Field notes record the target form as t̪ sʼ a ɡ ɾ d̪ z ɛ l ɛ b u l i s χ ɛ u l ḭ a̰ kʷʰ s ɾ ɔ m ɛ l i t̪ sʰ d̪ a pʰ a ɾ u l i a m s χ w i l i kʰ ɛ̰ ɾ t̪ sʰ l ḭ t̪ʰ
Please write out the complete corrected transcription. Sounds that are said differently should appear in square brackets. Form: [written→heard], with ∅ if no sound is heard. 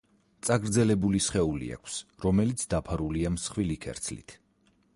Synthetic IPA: t̪ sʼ a ɡ ɾ d̪ z ɛ l ɛ b u l i s χ ɛ u l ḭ a̰ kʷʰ s ɾ ɔ m ɛ l i t̪ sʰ d̪ a pʰ a ɾ u l i a m s χ w i l i kʰ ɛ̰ ɾ t̪ sʰ l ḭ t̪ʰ